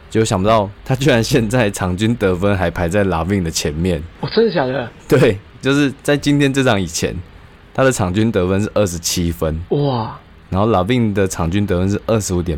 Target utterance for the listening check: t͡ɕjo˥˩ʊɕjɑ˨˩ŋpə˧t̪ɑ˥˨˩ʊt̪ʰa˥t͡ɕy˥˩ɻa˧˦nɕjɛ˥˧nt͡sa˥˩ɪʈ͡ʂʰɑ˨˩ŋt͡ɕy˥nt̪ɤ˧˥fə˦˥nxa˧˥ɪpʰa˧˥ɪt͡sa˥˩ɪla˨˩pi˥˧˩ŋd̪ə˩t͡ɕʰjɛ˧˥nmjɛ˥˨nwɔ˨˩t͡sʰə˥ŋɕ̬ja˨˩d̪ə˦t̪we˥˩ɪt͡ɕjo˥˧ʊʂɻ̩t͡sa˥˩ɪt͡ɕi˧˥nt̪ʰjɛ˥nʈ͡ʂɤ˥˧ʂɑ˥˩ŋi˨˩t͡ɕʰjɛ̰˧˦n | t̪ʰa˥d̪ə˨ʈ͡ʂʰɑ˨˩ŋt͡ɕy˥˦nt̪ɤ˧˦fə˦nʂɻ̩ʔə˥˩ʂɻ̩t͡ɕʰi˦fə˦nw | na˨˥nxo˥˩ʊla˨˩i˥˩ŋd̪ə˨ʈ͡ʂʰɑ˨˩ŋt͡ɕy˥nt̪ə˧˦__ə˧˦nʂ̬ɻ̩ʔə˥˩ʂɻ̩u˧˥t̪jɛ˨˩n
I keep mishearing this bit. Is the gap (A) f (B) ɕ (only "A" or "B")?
A